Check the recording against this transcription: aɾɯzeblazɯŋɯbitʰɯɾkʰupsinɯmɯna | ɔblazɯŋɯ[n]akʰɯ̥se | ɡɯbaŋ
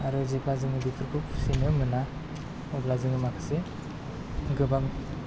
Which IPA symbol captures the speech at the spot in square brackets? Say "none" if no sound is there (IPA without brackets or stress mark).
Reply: m